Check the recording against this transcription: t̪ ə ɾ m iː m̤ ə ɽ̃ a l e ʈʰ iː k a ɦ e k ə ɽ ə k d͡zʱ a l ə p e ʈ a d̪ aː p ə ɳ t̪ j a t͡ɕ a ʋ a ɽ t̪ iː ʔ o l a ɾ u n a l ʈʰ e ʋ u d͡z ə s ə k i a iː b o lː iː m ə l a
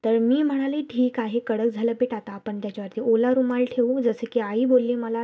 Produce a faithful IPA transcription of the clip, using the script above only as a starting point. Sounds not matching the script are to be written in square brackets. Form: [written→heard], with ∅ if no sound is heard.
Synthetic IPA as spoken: t̪ ə ɾ m iː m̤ ə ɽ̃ a l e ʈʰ iː k a ɦ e k ə ɽ ə k d͡zʱ a l ə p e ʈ a [d̪→t̪] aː p ə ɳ t̪ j a t͡ɕ a ʋ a [ɽ→ɾ] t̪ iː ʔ o l a ɾ u [n→m] a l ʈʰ e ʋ u d͡z ə s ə k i a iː b o lː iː m ə l a

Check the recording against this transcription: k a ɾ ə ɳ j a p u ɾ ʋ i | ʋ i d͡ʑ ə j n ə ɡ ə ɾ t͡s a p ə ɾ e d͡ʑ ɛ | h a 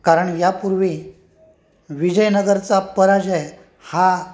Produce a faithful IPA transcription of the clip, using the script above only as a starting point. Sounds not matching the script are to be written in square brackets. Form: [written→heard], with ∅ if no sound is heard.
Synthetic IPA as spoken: k a ɾ ə ɳ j a p u ɾ ʋ i | ʋ i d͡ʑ ə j n ə ɡ ə ɾ t͡s a p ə ɾ [e→a] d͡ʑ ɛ | h a

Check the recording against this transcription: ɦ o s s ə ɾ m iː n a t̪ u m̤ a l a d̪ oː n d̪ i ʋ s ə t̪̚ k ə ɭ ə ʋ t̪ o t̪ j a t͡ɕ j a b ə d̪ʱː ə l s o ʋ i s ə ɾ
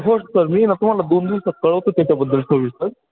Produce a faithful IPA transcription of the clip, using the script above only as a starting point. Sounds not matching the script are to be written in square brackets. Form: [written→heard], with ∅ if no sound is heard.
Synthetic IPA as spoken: ɦ o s s ə ɾ m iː n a t̪ u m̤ a l a d̪ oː n d̪ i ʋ s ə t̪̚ k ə ɭ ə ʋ t̪ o t̪ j a t͡ɕ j a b ə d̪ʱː ə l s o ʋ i s ə ɾ

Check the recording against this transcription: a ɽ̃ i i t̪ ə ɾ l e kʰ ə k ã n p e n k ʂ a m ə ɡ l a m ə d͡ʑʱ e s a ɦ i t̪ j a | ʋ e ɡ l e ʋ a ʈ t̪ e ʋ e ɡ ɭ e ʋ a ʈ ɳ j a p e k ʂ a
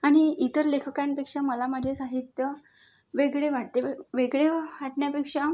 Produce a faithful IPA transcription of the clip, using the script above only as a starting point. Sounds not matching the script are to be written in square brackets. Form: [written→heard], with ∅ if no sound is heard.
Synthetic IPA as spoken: a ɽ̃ i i t̪ ə ɾ l e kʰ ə k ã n p e [n→∅] k ʂ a m ə [ɡ→∅] l a m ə d͡ʑʱ e s a ɦ i t̪ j [a→ə] | ʋ e ɡ [l→ɭ] e ʋ a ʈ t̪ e ʋ e ɡ ɭ e ʋ a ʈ ɳ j a p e k ʂ a

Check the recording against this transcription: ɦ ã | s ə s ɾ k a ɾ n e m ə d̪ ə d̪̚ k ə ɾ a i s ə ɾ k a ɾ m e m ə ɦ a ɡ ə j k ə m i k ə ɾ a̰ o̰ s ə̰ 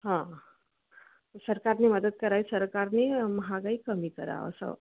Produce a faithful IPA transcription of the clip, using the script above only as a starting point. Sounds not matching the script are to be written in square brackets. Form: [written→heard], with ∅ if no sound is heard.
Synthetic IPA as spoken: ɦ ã | s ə [s→∅] ɾ k a ɾ n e m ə d̪ ə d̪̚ k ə ɾ a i s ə ɾ k a ɾ [m→n] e m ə ɦ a ɡ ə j k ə m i k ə ɾ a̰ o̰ s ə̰

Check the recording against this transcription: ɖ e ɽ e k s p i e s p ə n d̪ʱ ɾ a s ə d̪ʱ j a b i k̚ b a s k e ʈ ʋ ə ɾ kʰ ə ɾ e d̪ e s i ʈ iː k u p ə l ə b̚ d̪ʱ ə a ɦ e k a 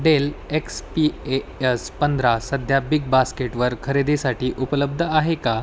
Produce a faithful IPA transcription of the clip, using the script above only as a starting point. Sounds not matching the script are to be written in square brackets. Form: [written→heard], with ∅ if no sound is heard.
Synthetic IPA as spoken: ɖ e [ɽ→l] e k s p i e s p ə n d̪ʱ ɾ a s ə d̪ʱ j a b i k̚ b a s k e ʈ ʋ ə ɾ kʰ ə ɾ e d̪ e s [i→a] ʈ iː [k→ʔ] u p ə l ə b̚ d̪ʱ ə a ɦ e k a

